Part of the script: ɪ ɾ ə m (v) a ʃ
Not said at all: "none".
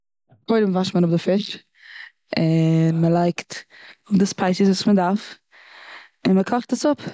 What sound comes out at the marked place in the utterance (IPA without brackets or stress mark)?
v